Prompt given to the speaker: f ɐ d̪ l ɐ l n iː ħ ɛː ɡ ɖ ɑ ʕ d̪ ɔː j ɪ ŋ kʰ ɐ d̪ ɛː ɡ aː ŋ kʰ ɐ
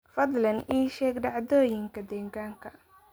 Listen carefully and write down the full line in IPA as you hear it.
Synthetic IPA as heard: f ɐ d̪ l ɐ n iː ʃ ɛː ɡ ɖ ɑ ʕ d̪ ɔː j ɪ ŋ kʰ ɐ d̪ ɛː ɡ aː ŋ kʰ ɐ